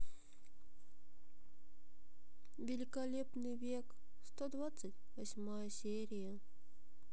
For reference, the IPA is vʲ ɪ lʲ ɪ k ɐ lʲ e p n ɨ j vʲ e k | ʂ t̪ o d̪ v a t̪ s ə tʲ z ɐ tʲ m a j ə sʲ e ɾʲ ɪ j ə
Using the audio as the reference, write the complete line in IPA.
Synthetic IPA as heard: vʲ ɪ lʲ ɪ k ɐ lʲ e p n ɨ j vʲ e k | s t̪ o d̪ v a t̪ s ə tʲ v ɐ sʲ m a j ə sʲ e ɾʲ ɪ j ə